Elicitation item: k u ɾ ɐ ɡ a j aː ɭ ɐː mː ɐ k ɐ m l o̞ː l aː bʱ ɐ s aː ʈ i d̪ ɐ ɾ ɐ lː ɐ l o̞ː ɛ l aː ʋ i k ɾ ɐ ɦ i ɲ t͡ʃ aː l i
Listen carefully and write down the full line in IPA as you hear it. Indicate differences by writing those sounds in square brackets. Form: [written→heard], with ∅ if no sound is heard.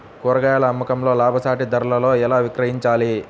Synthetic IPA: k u ɾ ɐ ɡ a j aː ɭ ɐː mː ɐ k ɐ m l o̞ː l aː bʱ ɐ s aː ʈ i d̪ ɐ ɾ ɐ [lː→l] ɐ l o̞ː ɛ l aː ʋ i k ɾ ɐ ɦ i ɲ t͡ʃ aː l i